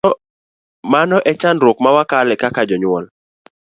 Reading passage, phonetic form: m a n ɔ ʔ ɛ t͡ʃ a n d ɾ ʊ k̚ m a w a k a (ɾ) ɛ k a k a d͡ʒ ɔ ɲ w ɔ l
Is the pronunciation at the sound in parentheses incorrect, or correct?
incorrect